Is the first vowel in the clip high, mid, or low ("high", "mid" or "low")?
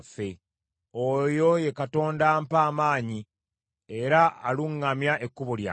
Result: mid